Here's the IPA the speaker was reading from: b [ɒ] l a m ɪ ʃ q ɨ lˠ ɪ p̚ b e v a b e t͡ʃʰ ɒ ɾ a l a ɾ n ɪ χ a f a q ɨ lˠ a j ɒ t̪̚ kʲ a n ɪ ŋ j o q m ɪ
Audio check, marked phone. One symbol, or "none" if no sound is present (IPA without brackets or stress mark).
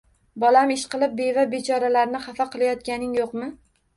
ɒ